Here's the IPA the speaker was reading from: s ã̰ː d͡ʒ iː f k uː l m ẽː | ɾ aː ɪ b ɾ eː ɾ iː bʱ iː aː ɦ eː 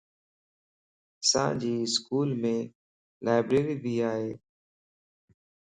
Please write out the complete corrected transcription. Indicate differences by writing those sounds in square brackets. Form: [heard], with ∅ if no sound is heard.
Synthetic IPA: s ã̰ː d͡ʒ iː [s] k uː l m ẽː | [l] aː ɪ b ɾ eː ɾ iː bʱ iː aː ɦ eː